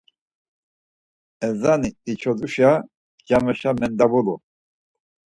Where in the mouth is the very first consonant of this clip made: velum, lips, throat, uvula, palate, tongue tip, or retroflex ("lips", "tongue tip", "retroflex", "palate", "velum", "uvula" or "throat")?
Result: tongue tip